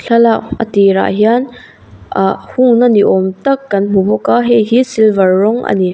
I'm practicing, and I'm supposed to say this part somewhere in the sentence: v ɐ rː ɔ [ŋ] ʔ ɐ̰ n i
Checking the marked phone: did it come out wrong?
no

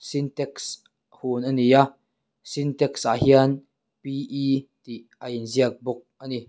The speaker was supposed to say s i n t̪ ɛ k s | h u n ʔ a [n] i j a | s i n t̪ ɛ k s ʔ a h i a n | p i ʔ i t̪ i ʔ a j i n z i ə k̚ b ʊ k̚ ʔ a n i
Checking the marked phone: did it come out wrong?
no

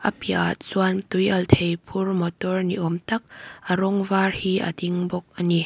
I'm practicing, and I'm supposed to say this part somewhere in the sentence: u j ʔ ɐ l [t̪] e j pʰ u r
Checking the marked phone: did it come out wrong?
yes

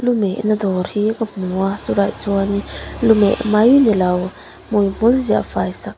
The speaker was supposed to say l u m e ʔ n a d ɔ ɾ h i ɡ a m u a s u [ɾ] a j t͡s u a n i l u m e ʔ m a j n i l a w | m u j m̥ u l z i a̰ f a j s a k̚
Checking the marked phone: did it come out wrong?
no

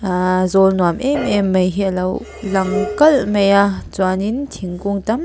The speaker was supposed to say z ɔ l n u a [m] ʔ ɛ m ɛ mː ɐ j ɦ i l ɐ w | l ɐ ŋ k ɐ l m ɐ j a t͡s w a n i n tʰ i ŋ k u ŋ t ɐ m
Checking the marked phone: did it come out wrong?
no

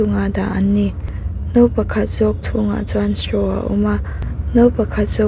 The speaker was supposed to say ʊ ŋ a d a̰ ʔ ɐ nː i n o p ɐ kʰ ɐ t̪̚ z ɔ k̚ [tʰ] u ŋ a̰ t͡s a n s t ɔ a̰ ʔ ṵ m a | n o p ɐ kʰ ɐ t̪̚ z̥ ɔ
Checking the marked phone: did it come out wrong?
no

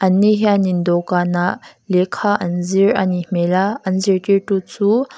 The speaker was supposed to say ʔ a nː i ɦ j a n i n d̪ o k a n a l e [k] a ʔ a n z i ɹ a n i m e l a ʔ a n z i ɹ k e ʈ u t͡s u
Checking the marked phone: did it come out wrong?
yes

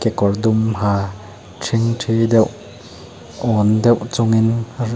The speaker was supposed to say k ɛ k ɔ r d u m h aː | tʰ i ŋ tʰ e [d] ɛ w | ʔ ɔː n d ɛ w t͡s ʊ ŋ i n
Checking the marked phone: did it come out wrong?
no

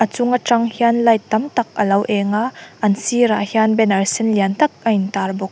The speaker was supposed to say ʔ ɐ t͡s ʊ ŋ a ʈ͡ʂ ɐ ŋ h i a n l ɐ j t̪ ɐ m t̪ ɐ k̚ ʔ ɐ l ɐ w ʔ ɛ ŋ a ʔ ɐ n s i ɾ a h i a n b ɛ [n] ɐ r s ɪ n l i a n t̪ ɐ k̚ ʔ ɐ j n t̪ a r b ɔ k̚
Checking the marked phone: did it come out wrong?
no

